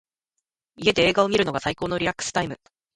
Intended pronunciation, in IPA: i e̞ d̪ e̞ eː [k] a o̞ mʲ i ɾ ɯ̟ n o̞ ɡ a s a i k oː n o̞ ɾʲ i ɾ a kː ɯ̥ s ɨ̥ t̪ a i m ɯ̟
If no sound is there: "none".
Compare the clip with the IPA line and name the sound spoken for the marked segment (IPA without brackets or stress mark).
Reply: ɡ